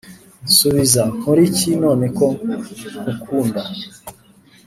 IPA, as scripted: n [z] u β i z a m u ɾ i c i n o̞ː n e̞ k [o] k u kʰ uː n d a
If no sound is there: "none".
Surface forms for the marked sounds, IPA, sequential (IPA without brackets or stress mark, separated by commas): s, o